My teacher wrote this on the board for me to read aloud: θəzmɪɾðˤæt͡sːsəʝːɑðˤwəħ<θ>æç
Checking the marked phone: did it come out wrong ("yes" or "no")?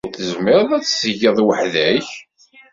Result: yes